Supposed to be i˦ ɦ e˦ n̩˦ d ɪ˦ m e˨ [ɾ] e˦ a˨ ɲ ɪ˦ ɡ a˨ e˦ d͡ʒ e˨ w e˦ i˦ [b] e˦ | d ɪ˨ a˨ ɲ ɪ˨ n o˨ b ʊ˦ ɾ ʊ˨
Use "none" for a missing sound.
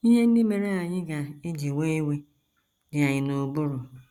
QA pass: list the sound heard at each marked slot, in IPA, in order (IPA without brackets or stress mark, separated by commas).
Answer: ɾ, w